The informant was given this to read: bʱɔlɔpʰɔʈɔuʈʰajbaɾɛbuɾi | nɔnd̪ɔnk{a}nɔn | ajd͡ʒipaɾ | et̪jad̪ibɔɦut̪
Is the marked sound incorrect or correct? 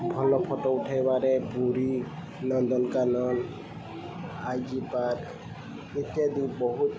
correct